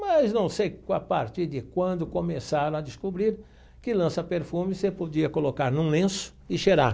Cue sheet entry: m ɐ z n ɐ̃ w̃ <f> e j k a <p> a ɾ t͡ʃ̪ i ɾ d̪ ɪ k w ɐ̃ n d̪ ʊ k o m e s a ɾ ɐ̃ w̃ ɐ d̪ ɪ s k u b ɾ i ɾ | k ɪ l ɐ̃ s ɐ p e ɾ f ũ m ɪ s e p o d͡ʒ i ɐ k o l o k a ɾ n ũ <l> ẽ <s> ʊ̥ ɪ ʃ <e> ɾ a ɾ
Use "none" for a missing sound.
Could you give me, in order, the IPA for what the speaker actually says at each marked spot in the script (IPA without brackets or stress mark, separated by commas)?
s, p, l, s, e